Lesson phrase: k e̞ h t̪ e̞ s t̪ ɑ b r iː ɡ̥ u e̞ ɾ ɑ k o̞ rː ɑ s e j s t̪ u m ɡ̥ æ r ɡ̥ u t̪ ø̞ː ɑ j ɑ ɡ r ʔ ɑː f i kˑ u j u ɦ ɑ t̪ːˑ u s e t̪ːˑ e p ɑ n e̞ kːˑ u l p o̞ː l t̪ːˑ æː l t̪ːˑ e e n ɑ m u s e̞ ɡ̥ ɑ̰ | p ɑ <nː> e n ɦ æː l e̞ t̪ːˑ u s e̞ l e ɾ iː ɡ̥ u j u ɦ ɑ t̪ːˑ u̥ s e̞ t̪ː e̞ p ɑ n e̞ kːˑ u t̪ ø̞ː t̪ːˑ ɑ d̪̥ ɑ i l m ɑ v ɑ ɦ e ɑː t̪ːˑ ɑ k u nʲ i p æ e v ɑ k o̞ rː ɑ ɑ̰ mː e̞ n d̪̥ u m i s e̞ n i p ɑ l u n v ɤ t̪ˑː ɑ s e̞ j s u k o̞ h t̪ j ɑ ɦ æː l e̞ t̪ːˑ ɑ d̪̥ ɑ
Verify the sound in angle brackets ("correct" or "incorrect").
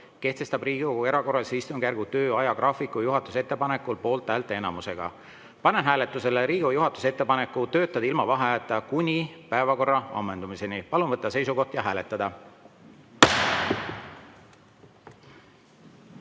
incorrect